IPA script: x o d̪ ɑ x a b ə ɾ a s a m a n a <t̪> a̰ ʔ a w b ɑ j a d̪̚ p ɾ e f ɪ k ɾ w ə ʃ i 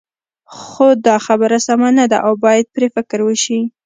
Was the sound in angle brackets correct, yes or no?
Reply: no